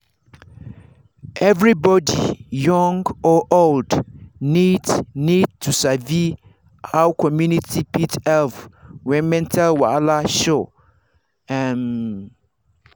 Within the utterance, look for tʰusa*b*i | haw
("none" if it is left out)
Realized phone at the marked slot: v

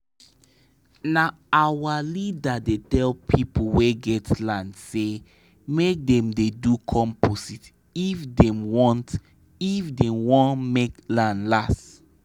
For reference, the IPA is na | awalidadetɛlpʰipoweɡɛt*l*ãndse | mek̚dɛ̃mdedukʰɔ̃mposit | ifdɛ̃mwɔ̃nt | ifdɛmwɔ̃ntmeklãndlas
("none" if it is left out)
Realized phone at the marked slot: l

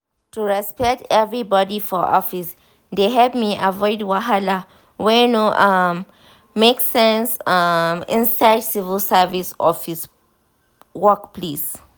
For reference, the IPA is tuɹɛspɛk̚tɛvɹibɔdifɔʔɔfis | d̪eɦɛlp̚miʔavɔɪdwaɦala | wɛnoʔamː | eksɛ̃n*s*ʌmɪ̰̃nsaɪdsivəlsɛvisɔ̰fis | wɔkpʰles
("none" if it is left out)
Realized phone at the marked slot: s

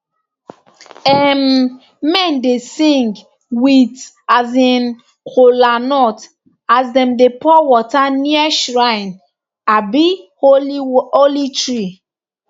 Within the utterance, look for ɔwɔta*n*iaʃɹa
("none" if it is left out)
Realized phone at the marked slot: n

